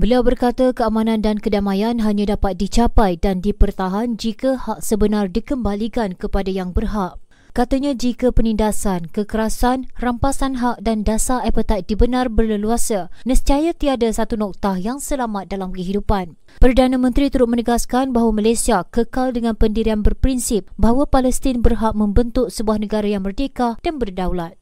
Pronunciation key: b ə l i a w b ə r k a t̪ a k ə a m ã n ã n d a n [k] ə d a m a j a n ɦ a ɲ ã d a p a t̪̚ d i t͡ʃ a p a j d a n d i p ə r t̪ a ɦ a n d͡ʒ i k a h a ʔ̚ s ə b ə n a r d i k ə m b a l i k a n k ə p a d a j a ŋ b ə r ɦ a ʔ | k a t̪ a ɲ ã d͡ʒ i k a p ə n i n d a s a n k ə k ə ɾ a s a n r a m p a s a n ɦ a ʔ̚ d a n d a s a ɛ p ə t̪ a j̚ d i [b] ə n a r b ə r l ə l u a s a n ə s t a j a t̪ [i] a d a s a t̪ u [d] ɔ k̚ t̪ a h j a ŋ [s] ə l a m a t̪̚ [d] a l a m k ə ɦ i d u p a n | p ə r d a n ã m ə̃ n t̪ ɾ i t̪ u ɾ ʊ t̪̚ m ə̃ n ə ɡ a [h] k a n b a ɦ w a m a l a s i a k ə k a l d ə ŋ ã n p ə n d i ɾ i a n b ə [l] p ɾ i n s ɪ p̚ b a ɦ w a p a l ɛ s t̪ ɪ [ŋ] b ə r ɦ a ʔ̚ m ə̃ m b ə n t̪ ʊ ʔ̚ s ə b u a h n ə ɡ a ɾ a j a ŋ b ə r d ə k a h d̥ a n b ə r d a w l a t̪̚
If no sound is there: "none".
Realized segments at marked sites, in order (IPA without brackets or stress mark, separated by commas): k, b, i, n, s, d, s, r, n